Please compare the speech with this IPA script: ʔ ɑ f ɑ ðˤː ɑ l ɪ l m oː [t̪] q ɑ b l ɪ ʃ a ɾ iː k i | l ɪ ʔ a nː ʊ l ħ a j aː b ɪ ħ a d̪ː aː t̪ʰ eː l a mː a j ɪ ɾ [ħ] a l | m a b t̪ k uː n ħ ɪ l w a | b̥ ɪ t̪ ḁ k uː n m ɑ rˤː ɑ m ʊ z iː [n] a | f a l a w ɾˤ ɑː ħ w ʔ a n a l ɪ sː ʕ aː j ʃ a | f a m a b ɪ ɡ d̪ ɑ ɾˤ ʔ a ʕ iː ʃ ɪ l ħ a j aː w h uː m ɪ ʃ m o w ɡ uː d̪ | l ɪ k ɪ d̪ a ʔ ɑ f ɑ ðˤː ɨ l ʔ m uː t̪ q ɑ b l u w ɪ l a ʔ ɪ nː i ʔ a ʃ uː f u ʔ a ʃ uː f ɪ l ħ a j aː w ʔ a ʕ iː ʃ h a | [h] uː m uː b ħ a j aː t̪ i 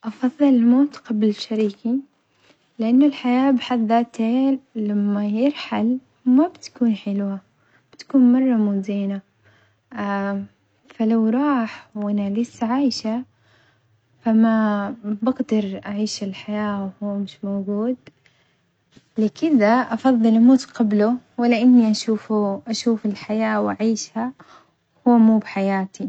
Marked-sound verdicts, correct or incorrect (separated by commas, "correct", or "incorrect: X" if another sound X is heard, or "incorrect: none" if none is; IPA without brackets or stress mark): correct, correct, correct, correct